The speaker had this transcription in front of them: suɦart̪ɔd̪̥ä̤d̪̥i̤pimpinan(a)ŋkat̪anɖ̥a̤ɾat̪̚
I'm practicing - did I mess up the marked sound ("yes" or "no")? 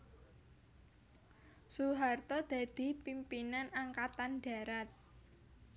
no